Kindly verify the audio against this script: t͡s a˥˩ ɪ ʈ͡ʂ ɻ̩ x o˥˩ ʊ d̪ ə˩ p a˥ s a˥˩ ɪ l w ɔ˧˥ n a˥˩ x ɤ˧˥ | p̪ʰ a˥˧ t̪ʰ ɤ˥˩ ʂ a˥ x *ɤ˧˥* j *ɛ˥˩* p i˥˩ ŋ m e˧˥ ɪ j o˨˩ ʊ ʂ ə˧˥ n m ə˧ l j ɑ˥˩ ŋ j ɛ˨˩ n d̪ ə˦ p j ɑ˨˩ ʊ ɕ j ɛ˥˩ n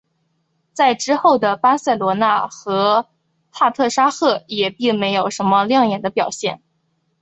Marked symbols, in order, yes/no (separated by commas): no, no